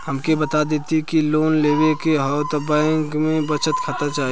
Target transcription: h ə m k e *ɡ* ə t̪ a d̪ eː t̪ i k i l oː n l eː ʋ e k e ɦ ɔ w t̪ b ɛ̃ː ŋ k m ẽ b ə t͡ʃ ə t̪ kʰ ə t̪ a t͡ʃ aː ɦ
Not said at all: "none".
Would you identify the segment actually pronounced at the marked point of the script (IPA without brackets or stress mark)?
b